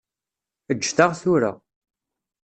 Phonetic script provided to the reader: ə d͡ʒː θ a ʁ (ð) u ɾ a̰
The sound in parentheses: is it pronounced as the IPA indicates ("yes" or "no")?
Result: no